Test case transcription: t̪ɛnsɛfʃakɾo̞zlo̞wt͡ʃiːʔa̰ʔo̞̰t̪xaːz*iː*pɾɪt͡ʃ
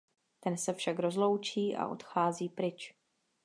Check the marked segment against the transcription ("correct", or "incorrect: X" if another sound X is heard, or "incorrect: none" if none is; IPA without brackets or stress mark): correct